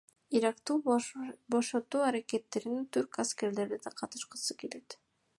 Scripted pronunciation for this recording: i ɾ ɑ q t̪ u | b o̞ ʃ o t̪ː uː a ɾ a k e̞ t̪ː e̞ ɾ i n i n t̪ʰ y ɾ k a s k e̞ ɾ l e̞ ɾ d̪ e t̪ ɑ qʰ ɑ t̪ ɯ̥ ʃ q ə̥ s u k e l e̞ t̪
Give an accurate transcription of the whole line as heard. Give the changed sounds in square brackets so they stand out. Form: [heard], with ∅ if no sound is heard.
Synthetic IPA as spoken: i ɾ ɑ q t̪ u | b o̞ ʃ o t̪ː uː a ɾ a k e̞ t̪ː e̞ ɾ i n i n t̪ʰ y ɾ k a s k e̞ ɾ l e̞ ɾ d̪ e [d̪] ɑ qʰ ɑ t̪ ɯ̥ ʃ q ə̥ s [ɯ] k e l e̞ t̪